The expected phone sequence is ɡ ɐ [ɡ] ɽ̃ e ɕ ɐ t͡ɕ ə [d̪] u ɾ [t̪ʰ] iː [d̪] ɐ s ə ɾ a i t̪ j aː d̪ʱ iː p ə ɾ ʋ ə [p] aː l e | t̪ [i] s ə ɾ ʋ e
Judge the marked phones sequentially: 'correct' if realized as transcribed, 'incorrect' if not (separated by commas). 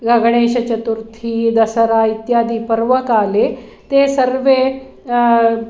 correct, incorrect, correct, correct, incorrect, incorrect